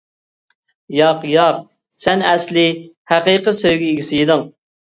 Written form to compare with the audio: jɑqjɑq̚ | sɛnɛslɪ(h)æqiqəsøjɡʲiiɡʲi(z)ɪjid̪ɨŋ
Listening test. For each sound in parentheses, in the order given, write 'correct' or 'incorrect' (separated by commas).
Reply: correct, incorrect